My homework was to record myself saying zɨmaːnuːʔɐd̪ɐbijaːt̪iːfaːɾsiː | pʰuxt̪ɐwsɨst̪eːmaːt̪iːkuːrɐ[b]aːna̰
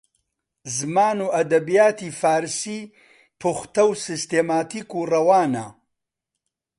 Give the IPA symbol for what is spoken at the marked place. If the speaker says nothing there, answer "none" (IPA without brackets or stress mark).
w